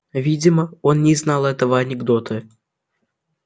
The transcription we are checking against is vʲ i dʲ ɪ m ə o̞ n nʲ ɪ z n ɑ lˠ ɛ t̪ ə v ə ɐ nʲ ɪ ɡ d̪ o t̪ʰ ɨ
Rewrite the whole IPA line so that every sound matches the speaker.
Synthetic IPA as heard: vʲ i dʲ ɪ m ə o̞ n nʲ ɪ z n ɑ lˠ ɛ t̪ ə v ə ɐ nʲ ɪ ɡ d̪ o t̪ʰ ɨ